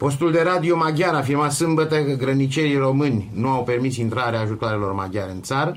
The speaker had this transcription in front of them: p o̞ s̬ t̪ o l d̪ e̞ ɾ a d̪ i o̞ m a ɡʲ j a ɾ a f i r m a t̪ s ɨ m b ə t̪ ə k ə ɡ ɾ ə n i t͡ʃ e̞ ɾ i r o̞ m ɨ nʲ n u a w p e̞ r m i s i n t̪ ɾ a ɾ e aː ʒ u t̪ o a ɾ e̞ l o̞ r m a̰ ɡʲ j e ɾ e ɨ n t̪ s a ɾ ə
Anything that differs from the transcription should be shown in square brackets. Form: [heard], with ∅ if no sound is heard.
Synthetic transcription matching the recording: p o̞ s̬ t̪ [u] l d̪ e̞ ɾ a d̪ i o̞ m a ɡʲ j a ɾ a f i r m a t̪ s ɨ m b ə t̪ ə k ə ɡ ɾ ə n i t͡ʃ e̞ ɾ i r o̞ m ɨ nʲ n u a w p e̞ r m i s i n t̪ ɾ a ɾ e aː ʒ u t̪ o a ɾ e̞ l o̞ r m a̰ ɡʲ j [a] ɾ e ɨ n t̪ s a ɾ ə